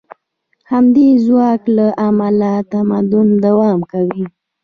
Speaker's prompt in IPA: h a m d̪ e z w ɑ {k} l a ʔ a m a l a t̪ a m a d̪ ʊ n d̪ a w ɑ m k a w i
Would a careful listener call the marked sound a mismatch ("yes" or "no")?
no